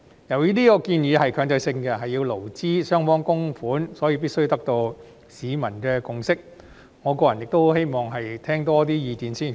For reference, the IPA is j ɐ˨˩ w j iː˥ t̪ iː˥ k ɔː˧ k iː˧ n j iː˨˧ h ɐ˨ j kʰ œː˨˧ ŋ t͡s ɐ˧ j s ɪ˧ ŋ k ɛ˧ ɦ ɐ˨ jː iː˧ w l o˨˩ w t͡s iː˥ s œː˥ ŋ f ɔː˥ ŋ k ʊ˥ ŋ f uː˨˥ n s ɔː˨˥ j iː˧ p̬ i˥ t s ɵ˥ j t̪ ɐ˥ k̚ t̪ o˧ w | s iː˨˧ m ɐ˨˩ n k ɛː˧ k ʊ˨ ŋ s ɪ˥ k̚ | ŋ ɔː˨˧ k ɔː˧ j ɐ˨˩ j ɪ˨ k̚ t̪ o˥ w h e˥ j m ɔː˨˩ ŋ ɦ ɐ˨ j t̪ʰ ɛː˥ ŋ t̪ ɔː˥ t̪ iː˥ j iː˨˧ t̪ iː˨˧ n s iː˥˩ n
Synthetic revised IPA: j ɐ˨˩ w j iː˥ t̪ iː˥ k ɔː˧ k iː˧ n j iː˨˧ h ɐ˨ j kʰ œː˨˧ ŋ t͡s ɐ˧ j s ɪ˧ ŋ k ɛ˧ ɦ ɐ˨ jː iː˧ w l o˨˩ w t͡s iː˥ s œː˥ ŋ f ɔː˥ ŋ k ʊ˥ ŋ f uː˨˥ n s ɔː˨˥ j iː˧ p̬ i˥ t s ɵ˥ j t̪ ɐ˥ k̚ t̪ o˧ w | s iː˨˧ m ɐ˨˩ n k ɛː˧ k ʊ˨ ŋ s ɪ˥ k̚ | ŋ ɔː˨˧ k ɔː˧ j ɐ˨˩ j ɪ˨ k̚ t̪ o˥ w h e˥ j m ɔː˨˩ ŋ ɦ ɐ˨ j t̪ʰ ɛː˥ ŋ t̪ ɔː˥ t̪ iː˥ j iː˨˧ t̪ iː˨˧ n s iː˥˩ n